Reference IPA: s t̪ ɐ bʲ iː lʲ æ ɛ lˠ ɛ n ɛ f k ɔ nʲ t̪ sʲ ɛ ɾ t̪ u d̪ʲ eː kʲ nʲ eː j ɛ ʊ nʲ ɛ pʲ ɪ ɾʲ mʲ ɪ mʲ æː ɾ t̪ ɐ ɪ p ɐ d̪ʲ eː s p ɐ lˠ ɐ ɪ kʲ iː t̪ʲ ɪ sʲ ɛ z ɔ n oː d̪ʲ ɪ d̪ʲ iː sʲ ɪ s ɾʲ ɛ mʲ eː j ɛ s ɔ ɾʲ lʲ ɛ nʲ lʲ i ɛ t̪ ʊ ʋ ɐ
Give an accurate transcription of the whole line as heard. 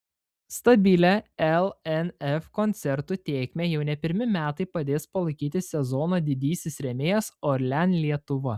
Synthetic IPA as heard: s t̪ ɐ bʲ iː lʲ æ ɛ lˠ ɛ n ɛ f k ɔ nʲ t̪ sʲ ɛ ɾ t̪ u t̪ʲ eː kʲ mʲ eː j ɛ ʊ nʲ ɛ pʲ ɪ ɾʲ mʲ ɪ mʲ æː t̪ ɐ ɪ p ɐ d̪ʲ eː s p ɐ lˠ ɐ ɪ kʲ iː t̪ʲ ɪ sʲ ɛ z ɔ n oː d̪ʲ ɪ d̪ʲ iː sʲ ɪ s ɾʲ ɛ mʲ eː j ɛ s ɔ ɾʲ lʲ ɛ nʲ lʲ i ɛ t̪ ʊ ʋ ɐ